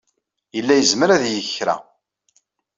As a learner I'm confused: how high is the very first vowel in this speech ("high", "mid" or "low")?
mid